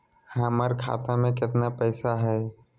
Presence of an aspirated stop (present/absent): present